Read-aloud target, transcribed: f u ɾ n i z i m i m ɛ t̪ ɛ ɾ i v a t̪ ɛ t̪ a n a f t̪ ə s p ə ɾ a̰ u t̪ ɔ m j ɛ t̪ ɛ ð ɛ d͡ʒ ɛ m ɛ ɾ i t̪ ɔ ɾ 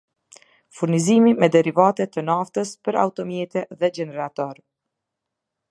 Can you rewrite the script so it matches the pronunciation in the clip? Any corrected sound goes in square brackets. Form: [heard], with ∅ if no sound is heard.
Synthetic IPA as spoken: f u ɾ n i z i m i m ɛ [d̪] ɛ ɾ i v a t̪ ɛ t̪ [ə] n a f t̪ ə s p ə ɾ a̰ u t̪ ɔ m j ɛ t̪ ɛ ð ɛ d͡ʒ ɛ [n] ɛ ɾ [a] t̪ ɔ ɾ

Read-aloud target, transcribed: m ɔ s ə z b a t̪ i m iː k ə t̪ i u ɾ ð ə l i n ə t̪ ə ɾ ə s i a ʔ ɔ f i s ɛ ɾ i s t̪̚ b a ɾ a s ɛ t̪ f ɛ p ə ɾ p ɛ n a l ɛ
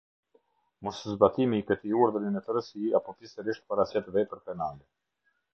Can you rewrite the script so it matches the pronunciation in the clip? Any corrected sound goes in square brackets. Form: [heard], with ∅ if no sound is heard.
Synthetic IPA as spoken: m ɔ s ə z b a t̪ i m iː k ə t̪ i u ɾ ð ə [ɾ] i n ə t̪ ə ɾ ə s i a [p] ɔ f i s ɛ ɾ i [ʃ] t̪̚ [p] a ɾ a s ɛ t̪ [v] ɛ p ə ɾ p ɛ n a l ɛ

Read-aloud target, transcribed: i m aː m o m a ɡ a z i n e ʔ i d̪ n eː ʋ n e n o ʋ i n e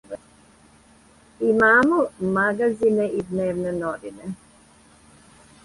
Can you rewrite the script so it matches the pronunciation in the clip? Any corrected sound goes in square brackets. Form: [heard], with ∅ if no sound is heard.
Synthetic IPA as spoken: i m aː m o m a ɡ a z i n e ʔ i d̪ n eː ʋ n e n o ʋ i n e

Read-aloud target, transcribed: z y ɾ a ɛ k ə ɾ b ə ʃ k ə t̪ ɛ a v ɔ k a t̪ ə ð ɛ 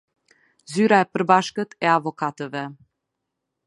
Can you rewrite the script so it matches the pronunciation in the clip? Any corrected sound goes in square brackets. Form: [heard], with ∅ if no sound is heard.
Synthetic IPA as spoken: z y ɾ a ɛ [p] ə ɾ b [a] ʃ k ə t̪ ɛ a v ɔ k a t̪ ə [v] ɛ

